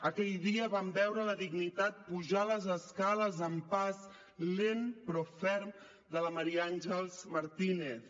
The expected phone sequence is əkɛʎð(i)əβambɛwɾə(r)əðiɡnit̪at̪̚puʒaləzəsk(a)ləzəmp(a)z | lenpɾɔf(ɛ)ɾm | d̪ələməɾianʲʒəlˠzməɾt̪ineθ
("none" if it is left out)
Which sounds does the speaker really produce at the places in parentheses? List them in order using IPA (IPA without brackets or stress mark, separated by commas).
i, l, a, a, ɛ